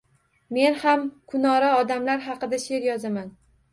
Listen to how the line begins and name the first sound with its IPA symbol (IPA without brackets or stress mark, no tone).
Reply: m